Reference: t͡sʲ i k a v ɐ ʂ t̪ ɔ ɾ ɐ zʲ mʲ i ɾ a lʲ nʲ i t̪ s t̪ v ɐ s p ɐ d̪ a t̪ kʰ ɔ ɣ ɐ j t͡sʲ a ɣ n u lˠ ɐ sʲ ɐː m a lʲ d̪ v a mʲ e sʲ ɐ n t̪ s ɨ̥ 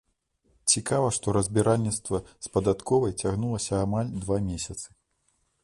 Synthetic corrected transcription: t͡sʲ i k a v ɐ ʂ t̪ ɔ ɾ ɐ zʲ bʲ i ɾ a lʲ nʲ i t̪ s t̪ v ɐ s p ɐ d̪ a t̪ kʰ ɔ v ɐ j t͡sʲ a ɣ n u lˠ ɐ sʲ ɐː m a lʲ d̪ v a mʲ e sʲ ɐ t̪ s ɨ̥